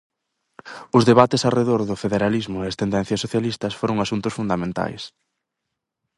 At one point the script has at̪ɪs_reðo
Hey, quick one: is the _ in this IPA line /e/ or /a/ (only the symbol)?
a